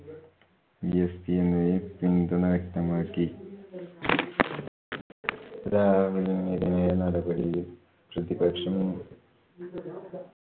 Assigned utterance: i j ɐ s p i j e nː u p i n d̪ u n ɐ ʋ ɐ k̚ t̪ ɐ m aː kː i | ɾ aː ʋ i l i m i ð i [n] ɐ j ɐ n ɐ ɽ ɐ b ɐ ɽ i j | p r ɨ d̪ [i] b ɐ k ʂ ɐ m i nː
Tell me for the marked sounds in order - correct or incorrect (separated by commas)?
correct, correct